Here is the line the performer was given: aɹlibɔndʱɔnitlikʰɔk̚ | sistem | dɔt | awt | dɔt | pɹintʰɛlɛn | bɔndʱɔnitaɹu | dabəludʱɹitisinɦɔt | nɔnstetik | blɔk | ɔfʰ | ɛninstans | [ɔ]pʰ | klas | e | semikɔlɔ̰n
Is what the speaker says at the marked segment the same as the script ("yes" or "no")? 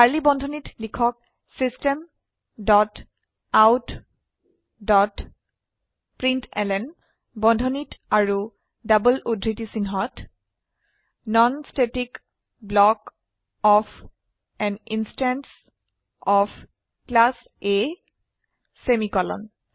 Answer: yes